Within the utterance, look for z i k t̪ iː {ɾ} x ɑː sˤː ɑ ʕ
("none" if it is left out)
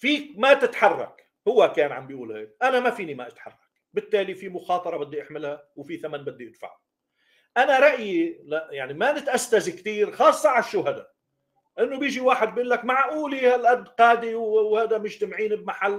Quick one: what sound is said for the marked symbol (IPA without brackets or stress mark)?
ɾ